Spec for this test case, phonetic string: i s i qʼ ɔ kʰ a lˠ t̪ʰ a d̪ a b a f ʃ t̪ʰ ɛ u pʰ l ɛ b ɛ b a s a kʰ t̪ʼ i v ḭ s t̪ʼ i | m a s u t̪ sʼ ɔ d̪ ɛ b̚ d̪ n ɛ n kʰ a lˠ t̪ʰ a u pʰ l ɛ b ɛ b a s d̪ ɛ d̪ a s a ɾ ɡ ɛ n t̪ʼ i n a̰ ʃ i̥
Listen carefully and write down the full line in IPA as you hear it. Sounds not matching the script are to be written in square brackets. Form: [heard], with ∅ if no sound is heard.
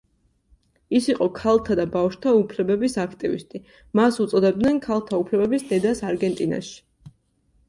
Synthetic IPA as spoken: i s i qʼ ɔ kʰ a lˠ t̪ʰ a d̪ a b a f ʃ t̪ʰ [a] u pʰ l ɛ b ɛ b [i] s a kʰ t̪ʼ i v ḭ s t̪ʼ i | m a s u t̪ sʼ ɔ d̪ ɛ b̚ d̪ n ɛ n kʰ a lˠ t̪ʰ a u pʰ l ɛ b ɛ b [i] s d̪ ɛ d̪ a s a ɾ ɡ ɛ n t̪ʼ i n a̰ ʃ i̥